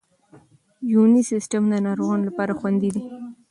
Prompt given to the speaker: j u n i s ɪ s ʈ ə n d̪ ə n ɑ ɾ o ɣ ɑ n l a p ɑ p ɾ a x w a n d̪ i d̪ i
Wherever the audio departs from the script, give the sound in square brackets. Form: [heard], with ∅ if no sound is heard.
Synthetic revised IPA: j u n i s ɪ s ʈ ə [m] d̪ ə n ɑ ɾ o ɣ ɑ n l a p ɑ [∅] ɾ a x w a n d̪ i d̪ i